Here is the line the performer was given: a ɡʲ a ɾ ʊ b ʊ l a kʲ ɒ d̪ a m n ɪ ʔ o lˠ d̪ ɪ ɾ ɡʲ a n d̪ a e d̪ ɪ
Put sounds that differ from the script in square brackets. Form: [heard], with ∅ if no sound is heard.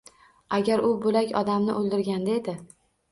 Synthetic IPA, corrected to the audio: a ɡʲ a ɾ ʊ b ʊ l a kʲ ɒ d̪ a m n ɪ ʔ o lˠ d̪ ɪ ɾ ɡʲ a n d̪ a e d̪ ɪ